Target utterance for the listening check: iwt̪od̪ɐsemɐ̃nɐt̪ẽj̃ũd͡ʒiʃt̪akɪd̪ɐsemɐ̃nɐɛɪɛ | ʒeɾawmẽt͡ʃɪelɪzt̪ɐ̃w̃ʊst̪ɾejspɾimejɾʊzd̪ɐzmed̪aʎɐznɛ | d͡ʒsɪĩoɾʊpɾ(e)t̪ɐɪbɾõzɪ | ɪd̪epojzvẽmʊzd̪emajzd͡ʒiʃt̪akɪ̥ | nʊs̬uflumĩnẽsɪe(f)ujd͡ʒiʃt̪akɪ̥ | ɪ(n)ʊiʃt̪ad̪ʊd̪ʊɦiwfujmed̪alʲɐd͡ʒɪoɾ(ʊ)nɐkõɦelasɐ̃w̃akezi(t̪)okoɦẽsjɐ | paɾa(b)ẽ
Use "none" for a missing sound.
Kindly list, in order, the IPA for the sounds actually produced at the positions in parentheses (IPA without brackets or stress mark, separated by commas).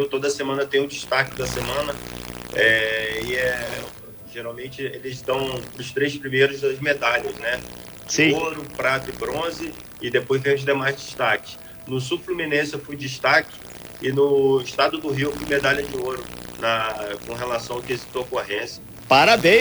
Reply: a, f, n, ʊ, t̪, b